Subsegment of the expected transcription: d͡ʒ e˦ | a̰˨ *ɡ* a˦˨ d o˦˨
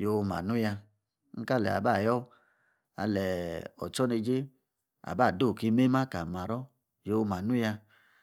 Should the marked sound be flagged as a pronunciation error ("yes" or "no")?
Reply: yes